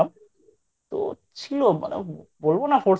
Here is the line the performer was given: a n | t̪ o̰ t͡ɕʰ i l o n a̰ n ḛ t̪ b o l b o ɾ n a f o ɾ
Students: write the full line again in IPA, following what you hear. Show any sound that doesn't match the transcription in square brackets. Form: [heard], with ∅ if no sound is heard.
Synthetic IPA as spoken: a [m] | t̪ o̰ t͡ɕʰ i l o [m] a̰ n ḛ [∅] b o l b o [∅] n a f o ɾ